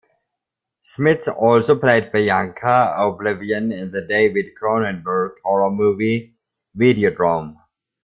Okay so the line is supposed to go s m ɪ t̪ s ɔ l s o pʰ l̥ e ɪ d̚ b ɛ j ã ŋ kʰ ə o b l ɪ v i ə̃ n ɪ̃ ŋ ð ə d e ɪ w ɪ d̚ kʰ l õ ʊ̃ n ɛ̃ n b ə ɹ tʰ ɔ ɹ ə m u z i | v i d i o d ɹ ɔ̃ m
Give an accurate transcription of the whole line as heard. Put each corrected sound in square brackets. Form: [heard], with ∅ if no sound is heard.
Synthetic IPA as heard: s m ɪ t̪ s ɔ l s o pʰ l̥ e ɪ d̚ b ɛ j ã ŋ kʰ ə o b l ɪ v i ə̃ n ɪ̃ [n] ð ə d e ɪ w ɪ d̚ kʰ [ɹ] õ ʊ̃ n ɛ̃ n b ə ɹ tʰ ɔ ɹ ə m u [v] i | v i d i o d ɹ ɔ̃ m